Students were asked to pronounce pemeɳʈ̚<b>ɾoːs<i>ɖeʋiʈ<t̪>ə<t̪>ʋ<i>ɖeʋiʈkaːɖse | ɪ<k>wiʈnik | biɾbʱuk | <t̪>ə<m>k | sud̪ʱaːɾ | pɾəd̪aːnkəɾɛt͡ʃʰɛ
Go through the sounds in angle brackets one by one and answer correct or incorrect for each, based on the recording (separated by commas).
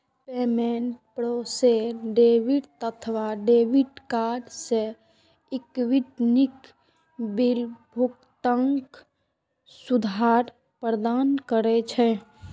incorrect, incorrect, correct, incorrect, incorrect, correct, correct, incorrect